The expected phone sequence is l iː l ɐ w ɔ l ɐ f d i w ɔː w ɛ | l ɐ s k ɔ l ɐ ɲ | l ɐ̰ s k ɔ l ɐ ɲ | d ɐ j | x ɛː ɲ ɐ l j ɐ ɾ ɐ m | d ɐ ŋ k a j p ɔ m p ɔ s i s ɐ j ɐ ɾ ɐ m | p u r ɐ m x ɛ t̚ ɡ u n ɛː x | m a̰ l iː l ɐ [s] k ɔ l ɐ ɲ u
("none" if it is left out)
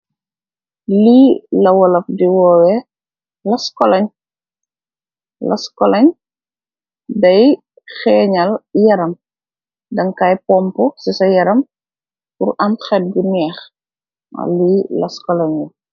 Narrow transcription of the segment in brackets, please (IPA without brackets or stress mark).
s